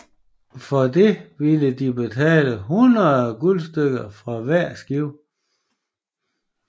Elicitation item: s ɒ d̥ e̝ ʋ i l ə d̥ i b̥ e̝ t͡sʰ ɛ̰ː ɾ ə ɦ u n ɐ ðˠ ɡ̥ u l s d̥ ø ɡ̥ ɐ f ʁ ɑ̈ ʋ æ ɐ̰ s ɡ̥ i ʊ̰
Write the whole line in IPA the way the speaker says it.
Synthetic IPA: f ɒ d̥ e̝ ʋ i l ə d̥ i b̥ e̝ t͡sʰ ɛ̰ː l ə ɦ u n ɐ ðˠ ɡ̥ u l s d̥ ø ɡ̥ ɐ f ʁ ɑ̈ ʋ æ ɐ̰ s ɡ̥ i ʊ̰